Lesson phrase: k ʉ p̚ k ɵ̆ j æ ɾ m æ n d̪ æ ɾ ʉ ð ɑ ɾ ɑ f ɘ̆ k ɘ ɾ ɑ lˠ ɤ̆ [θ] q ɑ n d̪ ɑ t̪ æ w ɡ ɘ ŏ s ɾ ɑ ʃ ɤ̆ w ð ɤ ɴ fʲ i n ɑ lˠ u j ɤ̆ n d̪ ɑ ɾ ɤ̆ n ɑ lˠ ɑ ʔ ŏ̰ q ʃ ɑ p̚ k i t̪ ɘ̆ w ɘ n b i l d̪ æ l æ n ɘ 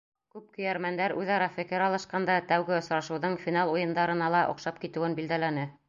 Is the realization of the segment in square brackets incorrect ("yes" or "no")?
yes